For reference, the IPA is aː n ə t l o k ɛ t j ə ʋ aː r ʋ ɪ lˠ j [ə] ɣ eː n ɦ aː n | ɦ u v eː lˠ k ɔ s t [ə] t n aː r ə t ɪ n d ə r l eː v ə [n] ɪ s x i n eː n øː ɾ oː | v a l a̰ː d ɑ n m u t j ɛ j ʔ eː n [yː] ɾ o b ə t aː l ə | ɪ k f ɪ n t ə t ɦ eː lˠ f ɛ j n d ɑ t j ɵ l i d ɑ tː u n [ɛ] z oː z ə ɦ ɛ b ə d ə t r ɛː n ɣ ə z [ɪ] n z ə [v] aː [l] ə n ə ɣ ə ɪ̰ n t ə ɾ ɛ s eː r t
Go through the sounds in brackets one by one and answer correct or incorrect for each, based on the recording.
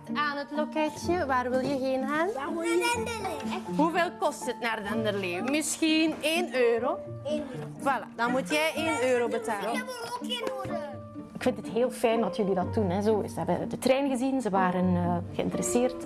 correct, correct, incorrect: m, incorrect: øː, correct, incorrect: i, incorrect: ʋ, incorrect: ɾ

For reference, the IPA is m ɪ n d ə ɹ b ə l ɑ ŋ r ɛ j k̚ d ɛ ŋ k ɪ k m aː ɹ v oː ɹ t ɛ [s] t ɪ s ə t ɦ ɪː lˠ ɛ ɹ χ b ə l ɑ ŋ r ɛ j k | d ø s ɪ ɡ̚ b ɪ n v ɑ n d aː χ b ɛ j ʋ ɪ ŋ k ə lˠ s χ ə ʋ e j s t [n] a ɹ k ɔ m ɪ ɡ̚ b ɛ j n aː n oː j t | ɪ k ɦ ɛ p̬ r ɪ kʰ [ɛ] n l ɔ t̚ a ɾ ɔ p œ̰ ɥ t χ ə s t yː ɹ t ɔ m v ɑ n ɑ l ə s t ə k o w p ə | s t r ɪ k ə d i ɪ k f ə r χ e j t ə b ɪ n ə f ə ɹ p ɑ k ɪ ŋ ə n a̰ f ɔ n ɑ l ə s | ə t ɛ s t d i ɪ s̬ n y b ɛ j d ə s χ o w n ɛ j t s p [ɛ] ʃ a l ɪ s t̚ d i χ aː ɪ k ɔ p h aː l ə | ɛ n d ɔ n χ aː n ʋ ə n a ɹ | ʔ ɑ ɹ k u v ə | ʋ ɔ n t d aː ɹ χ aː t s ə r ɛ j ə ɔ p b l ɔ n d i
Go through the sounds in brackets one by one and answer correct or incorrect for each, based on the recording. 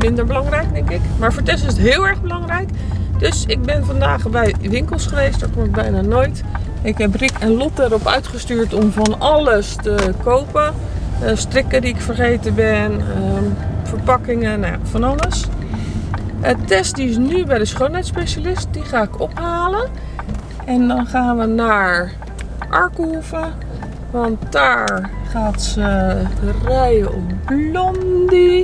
correct, incorrect: d, correct, incorrect: e

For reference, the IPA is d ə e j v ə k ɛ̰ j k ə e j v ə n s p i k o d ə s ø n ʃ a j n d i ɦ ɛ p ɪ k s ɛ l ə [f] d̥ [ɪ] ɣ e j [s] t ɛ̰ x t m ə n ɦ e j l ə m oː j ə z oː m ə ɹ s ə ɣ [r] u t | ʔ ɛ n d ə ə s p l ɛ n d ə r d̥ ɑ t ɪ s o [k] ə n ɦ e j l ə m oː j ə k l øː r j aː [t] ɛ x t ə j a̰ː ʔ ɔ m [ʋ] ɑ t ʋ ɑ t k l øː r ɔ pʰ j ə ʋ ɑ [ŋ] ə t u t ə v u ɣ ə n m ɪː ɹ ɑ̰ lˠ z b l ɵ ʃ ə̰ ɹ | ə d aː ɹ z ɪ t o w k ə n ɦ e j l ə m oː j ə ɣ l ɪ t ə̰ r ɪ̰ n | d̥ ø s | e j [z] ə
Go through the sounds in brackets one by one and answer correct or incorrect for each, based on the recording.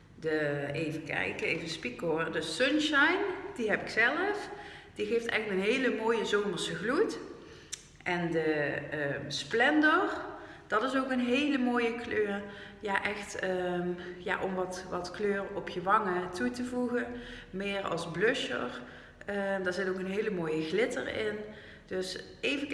correct, incorrect: i, incorrect: f, incorrect: l, correct, incorrect: ʔ, correct, correct, incorrect: v

